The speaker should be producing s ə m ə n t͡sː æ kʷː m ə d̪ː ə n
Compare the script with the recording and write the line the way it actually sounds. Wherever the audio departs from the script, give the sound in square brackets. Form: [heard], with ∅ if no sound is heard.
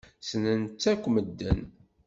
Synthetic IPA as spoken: s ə [n] ə n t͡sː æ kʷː m ə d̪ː ə n